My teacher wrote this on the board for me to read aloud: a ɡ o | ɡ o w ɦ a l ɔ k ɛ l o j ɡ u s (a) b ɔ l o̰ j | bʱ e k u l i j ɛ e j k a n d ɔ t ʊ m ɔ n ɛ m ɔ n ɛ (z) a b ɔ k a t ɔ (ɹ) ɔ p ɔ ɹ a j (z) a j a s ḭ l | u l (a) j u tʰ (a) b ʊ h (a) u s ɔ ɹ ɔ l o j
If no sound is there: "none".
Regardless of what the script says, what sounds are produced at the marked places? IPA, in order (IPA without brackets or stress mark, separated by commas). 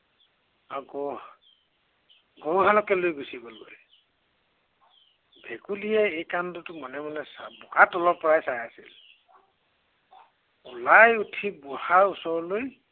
i, s, l, s, a, i, a